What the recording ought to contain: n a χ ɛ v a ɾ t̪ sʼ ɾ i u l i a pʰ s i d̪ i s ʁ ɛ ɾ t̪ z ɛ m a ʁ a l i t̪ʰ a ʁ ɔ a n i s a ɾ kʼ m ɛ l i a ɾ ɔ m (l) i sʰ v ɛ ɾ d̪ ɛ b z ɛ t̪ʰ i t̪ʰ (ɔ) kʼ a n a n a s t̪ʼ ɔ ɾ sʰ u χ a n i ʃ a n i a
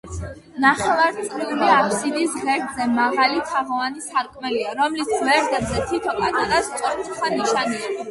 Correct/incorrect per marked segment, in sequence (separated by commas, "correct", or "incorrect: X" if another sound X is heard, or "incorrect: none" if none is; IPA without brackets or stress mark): correct, correct